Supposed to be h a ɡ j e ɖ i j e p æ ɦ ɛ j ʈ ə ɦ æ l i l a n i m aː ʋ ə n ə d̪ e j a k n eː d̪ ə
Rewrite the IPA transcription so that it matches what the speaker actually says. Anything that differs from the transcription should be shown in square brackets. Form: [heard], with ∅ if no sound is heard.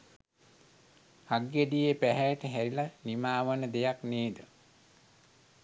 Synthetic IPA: h a ɡ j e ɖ i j e p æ ɦ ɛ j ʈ ə ɦ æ [ɾ] i l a n i m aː ʋ ə n ə d̪ e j a k n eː d̪ ə

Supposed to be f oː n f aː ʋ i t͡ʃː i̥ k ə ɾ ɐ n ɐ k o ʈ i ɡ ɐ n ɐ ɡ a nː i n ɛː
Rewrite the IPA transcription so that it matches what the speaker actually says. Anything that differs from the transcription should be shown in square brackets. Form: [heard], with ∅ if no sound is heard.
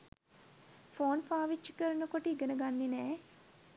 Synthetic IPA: f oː n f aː ʋ i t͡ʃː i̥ k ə ɾ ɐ n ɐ k o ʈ i ɡ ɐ n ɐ ɡ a nː i n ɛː

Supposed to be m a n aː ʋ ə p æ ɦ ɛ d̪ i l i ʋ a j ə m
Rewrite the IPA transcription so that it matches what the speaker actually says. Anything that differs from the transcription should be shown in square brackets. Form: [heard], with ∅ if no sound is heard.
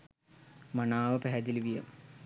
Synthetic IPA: m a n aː ʋ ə p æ ɦ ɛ d̪ i l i ʋ [i] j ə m

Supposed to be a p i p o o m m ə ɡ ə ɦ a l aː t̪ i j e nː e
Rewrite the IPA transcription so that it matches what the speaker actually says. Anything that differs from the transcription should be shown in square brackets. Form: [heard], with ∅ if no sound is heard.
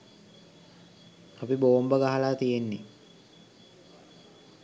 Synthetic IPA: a p i [b] o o m [b] ə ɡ [a] ɦ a l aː t̪ i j e nː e

